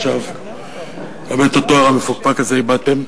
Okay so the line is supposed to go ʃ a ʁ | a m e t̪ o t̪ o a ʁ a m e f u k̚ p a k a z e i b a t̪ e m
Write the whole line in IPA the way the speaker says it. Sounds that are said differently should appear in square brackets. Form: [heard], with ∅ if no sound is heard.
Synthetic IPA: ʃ a [v] | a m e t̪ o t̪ o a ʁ a m e f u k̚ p a k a z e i b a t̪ e m